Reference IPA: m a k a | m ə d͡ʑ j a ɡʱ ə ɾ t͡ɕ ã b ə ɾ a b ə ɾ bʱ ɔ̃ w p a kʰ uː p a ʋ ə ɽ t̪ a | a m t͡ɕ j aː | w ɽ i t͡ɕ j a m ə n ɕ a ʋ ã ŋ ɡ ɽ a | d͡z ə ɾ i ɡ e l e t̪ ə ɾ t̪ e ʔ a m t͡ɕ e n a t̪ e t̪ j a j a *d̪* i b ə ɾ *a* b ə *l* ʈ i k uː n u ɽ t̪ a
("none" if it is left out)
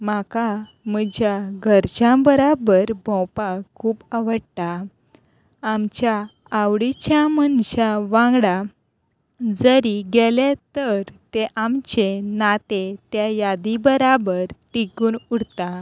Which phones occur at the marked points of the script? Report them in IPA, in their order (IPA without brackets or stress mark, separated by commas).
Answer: d̪, a, ɾ